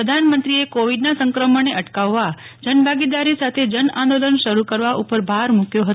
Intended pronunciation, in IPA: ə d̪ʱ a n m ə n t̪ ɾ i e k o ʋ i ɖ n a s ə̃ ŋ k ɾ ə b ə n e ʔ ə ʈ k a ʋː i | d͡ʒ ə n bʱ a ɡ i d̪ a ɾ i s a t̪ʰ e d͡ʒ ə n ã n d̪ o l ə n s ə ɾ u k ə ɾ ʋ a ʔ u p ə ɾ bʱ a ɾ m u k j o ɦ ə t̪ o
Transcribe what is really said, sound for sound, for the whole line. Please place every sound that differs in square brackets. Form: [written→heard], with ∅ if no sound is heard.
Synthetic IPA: ə d̪ʱ a n m ə n t̪ ɾ i e k o ʋ i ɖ n a s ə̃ ŋ k ɾ ə [b→m] ə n e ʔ ə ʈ k a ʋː [i→a] | d͡ʒ ə n bʱ a ɡ i d̪ a ɾ i s a t̪ʰ e d͡ʒ ə n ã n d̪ o l ə n [s→ʃ] ə ɾ u k ə ɾ ʋ a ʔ u p ə ɾ bʱ a ɾ m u k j o ɦ ə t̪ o